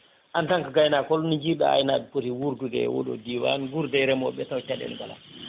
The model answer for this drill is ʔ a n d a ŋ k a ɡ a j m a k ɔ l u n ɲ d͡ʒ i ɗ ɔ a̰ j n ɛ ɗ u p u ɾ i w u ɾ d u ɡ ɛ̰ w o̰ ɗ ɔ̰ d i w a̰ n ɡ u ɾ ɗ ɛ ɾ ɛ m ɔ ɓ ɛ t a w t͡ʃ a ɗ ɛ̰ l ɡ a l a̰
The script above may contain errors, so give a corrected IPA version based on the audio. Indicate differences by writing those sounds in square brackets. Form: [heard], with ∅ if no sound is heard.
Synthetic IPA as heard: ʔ a n [t] a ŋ k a ɡ a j [n] a k ɔ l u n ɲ d͡ʒ i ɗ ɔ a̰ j n [a] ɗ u p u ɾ i w u ɾ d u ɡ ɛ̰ w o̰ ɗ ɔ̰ d i w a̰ n ɡ u ɾ [d] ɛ ɾ ɛ m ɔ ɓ ɛ t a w t͡ʃ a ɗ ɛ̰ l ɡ a l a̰